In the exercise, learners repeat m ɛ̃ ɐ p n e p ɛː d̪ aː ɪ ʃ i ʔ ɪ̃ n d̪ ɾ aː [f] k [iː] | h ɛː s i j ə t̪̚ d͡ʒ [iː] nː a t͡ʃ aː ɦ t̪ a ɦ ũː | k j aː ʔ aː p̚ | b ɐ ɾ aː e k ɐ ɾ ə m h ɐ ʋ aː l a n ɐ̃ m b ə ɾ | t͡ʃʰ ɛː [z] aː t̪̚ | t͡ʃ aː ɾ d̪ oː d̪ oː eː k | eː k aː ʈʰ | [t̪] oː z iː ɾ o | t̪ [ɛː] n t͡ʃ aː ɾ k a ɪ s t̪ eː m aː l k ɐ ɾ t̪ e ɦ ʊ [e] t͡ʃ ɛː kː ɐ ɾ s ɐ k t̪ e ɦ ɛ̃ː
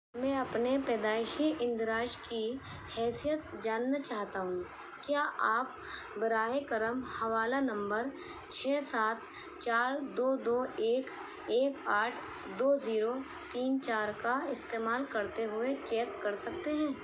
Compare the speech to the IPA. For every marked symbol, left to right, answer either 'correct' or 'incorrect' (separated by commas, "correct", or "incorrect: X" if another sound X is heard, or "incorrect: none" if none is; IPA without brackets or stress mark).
incorrect: ʃ, incorrect: i, incorrect: aː, incorrect: s, incorrect: d̪, incorrect: iː, correct